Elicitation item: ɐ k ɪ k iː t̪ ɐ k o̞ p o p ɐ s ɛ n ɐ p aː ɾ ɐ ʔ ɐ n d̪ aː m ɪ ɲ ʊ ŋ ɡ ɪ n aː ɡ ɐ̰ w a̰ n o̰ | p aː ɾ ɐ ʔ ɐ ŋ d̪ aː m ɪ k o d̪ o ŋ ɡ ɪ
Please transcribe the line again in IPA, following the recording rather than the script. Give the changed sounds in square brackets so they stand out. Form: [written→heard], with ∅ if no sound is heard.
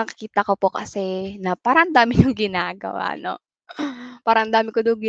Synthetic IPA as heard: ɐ k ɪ k iː t̪ ɐ k o̞ p o [p→k] ɐ s ɛ n ɐ p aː ɾ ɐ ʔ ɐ n d̪ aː m ɪ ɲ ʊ ŋ ɡ ɪ n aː ɡ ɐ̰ w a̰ n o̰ | p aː ɾ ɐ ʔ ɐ [ŋ→n] d̪ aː m ɪ k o d̪ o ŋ ɡ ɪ